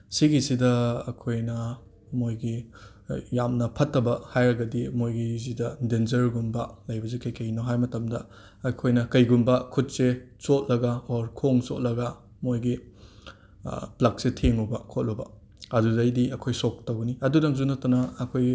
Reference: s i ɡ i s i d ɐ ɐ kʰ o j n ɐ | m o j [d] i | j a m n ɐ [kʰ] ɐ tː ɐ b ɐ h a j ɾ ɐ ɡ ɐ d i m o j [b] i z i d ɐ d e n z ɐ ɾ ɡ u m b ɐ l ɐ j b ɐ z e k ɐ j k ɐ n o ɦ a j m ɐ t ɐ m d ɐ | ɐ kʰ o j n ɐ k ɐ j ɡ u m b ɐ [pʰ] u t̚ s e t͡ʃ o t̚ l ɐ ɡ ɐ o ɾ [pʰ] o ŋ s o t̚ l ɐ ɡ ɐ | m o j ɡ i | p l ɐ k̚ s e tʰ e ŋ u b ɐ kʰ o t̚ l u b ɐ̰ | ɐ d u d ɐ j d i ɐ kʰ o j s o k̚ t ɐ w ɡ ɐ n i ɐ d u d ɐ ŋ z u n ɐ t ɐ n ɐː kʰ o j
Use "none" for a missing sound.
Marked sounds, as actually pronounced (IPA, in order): ɡ, pʰ, ɡ, kʰ, kʰ

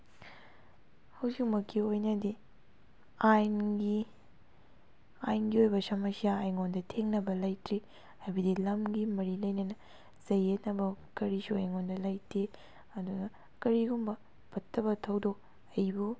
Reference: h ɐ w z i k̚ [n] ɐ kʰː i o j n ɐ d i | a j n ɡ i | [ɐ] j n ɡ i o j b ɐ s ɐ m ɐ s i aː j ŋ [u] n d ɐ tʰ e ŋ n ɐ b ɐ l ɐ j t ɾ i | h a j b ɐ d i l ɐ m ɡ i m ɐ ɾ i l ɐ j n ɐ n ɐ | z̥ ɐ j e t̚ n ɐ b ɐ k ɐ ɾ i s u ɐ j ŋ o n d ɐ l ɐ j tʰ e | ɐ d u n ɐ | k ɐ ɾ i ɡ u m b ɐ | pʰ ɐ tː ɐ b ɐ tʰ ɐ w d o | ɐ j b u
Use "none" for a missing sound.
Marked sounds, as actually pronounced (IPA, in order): m, a, o

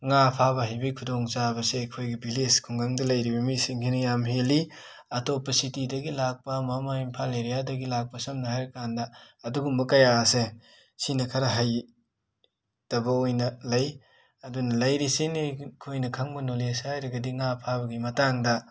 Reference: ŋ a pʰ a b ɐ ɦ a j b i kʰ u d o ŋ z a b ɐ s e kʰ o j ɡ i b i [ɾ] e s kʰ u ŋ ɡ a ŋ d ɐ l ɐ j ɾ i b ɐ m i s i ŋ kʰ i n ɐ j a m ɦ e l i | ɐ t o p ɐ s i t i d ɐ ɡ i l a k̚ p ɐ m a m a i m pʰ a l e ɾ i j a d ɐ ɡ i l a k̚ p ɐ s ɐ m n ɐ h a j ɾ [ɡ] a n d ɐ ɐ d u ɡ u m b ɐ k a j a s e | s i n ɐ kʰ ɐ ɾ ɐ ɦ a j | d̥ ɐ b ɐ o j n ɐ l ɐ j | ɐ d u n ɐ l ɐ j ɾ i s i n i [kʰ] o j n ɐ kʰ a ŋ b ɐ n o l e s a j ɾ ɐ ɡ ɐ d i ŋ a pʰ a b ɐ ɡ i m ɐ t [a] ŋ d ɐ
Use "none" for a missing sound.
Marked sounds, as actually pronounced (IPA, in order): l, k, kʰ, a

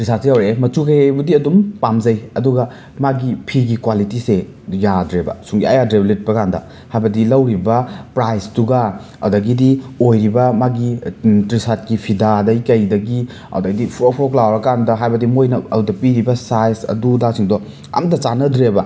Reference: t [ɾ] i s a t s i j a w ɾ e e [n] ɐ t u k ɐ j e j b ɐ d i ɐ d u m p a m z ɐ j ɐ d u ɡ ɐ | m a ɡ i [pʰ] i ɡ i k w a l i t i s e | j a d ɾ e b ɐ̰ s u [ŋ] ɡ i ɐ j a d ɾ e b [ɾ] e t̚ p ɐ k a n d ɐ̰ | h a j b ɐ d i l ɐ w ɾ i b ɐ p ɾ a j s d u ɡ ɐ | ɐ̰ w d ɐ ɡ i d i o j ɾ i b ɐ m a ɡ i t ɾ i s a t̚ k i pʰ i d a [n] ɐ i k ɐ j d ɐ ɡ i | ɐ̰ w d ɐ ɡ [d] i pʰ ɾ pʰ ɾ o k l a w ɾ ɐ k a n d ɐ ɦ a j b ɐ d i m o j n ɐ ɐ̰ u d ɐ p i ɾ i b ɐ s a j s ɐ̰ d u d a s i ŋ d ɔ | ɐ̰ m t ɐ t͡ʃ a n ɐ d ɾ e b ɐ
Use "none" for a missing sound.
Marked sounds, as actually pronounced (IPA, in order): ɾ, m, pʰ, ŋ, l, d, d

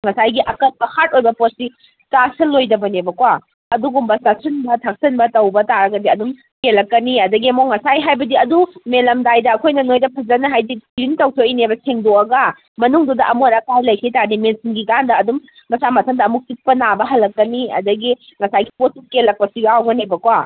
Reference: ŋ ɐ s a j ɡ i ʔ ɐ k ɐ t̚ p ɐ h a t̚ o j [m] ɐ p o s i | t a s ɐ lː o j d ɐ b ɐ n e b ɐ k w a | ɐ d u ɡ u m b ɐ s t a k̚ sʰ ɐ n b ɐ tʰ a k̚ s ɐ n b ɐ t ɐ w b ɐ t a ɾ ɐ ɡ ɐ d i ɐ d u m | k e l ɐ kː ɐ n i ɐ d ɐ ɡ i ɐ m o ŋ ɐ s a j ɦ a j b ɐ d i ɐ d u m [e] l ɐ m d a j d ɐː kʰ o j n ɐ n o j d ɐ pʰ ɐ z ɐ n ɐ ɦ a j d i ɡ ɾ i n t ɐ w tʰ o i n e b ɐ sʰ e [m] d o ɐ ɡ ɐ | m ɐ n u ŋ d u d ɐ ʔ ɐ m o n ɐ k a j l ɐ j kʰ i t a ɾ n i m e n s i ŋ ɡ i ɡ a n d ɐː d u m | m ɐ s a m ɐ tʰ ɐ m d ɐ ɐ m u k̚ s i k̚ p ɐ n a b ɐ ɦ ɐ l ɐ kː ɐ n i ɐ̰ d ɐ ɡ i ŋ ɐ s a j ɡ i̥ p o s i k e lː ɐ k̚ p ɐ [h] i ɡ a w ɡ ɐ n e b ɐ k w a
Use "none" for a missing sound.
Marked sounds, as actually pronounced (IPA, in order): b, e, ŋ, s

